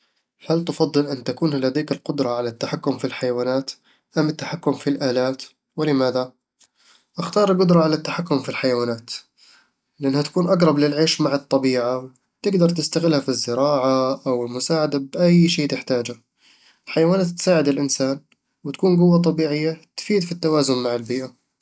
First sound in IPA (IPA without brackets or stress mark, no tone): h